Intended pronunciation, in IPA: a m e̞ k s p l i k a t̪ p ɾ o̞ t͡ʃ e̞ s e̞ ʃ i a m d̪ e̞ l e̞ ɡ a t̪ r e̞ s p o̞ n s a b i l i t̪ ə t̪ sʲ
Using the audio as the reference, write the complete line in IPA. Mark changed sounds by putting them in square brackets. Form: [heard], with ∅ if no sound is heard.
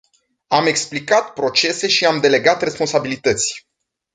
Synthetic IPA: a m e̞ k s p l i k a t̪ p ɾ o̞ t͡ʃ e̞ s e̞ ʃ i a m d̪ e̞ l e̞ ɡ a t̪ r e̞ s p o̞ n s a b i l i t̪ ə t̪ sʲ